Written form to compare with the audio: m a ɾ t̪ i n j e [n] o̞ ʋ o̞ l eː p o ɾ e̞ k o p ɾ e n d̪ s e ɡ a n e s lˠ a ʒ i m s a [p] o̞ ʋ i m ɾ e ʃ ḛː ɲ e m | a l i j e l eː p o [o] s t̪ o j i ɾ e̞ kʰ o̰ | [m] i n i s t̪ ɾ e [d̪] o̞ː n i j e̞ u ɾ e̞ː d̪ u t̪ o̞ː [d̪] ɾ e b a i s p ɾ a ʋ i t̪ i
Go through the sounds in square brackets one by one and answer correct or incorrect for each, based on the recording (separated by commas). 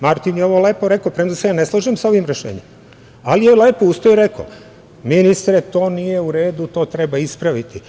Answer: incorrect, incorrect, incorrect, correct, incorrect, incorrect